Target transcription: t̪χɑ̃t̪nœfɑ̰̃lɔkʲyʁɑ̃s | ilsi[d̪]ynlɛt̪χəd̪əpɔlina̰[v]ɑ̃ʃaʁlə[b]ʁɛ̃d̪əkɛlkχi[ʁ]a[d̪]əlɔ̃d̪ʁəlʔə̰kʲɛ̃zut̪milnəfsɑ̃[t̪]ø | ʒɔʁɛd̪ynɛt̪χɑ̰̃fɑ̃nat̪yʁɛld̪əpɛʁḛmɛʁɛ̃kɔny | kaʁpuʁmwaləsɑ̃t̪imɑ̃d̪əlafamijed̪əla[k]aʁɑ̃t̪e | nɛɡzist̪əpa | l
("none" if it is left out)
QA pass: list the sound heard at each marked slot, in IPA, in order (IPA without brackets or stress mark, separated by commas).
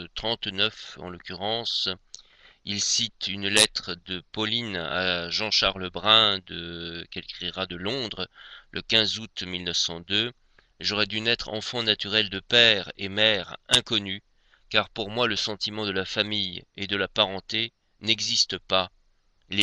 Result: t̪, ʒ, b, ʁ, d̪, d̪, p